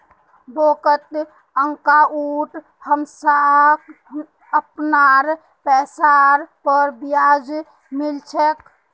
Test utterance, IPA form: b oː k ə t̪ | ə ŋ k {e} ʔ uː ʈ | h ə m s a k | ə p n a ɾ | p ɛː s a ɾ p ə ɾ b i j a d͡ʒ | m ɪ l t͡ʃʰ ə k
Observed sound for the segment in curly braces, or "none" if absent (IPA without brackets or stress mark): a